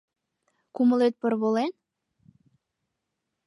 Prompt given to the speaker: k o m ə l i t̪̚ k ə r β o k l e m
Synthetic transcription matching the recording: k u m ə l e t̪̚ p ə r β o l e n

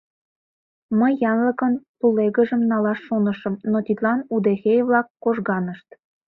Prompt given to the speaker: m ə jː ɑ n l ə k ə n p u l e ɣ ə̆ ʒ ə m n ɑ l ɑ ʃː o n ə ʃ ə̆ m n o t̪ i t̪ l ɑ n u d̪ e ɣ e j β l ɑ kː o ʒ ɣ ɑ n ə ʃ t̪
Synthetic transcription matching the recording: m ə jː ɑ n l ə k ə n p u l e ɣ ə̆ ʒ ə m n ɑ l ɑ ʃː o n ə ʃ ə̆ m n o t̪ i t̪ l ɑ n u d̪ e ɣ e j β l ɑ kː o ʒ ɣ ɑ n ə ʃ t̪

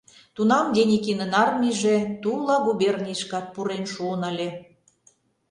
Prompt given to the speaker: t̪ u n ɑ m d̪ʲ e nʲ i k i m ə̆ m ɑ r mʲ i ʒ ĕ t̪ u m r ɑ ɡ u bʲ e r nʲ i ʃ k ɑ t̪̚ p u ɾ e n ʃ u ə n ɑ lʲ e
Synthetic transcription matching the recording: t̪ u n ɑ m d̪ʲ e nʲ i k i n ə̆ n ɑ r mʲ i ʒ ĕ t̪ u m l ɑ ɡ u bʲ e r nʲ i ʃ k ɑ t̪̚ p u ɾ e n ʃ u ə n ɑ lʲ e

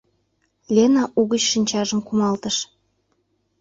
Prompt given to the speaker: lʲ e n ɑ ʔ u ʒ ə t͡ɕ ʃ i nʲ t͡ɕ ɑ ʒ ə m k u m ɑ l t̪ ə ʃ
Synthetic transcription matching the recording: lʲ e n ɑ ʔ u ɣ ə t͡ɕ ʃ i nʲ t͡ɕ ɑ ʒ ə m k u m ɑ l t̪ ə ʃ

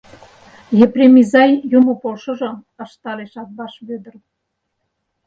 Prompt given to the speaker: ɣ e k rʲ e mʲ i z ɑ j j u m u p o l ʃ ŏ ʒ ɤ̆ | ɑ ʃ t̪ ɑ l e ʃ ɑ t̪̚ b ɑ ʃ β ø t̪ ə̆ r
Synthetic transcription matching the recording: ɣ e p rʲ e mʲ i z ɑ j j u m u p o l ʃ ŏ ʒ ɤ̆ | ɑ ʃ t̪ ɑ l e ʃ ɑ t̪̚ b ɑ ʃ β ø d̪ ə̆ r

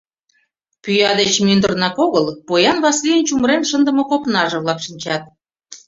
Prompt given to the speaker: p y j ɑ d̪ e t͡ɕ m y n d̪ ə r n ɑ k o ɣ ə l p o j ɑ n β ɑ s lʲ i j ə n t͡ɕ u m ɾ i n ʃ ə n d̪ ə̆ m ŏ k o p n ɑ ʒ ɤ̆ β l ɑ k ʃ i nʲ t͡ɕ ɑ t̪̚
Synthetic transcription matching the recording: p y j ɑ d̪ e t͡ɕ m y n d̪ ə r n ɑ k o ɣ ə l p o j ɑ n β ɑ s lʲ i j ə n t͡ɕ u m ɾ e n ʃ ə n d̪ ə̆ m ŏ k o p n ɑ ʒ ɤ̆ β l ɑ k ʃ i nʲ t͡ɕ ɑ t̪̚

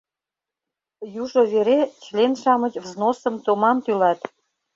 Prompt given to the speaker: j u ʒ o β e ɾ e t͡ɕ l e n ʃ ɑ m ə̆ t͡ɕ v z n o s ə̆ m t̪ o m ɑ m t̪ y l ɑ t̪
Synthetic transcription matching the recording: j u ʒ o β e ɾ e t͡ɕ l e n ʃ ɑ m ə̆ t͡ɕ v z n o s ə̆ m t̪ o m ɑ m t̪ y l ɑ t̪

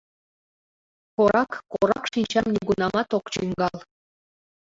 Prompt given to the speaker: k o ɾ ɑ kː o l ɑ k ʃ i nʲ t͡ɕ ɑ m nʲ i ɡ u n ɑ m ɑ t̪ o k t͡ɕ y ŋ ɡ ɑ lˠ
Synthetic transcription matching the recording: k o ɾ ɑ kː o ɾ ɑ k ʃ i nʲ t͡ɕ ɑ m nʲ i ɡ u n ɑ m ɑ t̪ o k t͡ɕ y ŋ ɡ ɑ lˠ

